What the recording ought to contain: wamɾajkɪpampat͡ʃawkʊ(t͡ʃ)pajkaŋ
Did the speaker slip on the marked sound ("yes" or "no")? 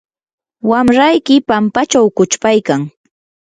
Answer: no